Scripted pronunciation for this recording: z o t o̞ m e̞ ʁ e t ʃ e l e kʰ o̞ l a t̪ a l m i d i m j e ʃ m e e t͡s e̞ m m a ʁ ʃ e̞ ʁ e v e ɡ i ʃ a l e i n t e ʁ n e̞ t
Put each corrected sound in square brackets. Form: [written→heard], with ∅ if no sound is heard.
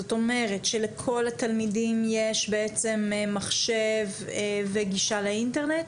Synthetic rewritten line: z o t o̞ m e̞ ʁ e t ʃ e l e kʰ o̞ l a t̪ a l m i d i m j e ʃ [m→b] e e t͡s e̞ m m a [ʁ→χ] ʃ e̞ [ʁ→v] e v e ɡ i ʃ a l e i n t e ʁ n e̞ t